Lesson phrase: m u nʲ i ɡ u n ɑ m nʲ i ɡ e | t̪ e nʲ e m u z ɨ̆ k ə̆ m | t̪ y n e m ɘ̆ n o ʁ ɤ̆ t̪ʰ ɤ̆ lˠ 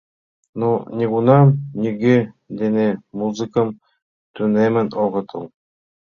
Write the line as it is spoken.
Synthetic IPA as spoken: n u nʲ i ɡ u n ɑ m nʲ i ɡ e | d̪ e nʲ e m u z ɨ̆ k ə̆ m | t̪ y n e m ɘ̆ n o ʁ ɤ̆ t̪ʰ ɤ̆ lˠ